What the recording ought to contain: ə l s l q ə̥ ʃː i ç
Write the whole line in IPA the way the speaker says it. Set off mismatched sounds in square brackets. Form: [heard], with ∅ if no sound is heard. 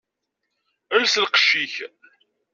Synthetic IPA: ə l s l q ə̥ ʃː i ç